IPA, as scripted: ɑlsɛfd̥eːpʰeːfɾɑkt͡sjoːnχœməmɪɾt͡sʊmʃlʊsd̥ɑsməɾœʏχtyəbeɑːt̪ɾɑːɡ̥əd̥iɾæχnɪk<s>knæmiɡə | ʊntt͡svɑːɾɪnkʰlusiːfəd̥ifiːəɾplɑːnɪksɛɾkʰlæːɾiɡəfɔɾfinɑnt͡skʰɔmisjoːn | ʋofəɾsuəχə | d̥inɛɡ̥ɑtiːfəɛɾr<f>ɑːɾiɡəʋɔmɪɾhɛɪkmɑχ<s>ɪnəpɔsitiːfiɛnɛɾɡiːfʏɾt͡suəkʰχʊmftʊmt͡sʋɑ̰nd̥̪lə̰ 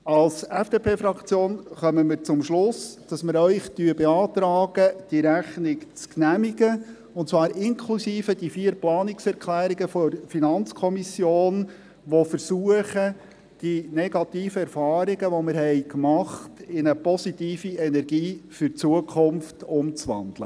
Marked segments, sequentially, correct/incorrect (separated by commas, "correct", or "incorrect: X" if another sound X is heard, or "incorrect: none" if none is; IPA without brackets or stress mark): incorrect: t͡s, correct, incorrect: t